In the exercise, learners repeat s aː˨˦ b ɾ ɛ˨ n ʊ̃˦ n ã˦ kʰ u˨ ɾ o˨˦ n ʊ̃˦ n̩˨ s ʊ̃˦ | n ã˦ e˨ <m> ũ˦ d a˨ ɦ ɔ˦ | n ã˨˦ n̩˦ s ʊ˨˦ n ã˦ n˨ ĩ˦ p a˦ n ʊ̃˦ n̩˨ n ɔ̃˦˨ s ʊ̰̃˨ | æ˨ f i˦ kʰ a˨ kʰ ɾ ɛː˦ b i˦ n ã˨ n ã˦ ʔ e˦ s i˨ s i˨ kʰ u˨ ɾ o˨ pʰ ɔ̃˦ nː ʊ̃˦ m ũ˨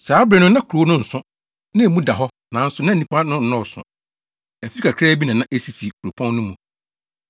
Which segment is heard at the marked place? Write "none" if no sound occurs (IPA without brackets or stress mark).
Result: m